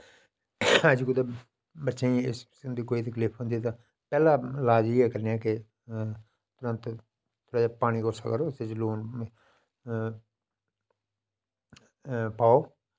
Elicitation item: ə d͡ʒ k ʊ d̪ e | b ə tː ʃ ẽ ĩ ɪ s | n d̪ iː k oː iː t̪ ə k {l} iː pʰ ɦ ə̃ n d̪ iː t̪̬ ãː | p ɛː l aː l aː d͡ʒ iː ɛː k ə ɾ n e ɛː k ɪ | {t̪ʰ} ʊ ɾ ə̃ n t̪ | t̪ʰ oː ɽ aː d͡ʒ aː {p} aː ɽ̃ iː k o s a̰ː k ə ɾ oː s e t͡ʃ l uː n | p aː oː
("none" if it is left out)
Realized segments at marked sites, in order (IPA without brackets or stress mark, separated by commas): l, t̪, p